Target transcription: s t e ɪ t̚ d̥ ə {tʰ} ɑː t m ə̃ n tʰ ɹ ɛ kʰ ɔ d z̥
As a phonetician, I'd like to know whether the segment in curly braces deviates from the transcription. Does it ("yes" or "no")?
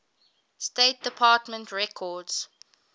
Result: yes